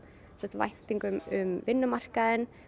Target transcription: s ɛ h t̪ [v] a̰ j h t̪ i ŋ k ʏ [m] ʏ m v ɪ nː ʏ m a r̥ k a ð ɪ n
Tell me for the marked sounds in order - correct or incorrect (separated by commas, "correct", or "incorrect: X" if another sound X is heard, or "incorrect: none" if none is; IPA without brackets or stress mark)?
correct, correct